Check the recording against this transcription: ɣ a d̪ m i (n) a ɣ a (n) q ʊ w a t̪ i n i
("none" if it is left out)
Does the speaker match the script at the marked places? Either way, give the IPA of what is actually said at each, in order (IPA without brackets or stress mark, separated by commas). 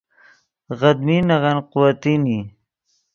n, n